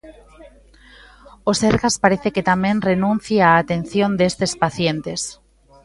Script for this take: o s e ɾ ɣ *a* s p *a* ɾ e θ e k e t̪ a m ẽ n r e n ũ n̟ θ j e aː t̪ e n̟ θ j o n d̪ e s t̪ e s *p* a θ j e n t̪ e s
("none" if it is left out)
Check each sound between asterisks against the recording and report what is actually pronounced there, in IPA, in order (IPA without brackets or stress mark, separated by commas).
a, a, p